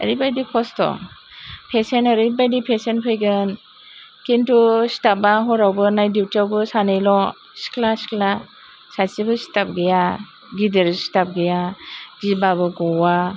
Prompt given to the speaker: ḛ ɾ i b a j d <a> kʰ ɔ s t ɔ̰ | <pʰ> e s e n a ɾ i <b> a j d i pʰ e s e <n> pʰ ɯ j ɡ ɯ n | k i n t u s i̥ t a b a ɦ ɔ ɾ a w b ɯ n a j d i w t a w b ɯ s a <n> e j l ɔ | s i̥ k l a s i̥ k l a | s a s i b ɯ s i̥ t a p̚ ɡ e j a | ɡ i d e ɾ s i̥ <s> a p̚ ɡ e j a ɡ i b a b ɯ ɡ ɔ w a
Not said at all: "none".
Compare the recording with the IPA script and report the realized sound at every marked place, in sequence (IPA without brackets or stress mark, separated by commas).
i, pʰ, b, n, n, t